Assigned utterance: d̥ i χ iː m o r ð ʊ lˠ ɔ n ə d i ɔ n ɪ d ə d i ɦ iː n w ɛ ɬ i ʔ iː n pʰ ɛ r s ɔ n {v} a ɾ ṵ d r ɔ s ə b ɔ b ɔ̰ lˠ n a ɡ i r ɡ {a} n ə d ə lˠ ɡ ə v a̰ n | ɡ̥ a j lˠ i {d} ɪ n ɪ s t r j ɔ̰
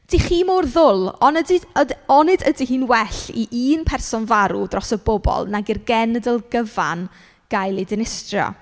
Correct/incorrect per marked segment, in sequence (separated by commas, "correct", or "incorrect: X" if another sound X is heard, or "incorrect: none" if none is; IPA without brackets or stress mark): correct, incorrect: ɛ, correct